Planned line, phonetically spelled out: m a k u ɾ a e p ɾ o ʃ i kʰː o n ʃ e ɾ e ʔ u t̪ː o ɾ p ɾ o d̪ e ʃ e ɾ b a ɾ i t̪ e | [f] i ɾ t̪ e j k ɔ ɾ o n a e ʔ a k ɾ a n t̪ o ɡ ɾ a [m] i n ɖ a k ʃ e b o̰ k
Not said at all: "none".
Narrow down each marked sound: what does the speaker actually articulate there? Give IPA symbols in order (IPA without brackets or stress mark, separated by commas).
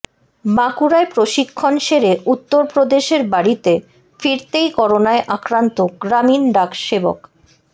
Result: f, m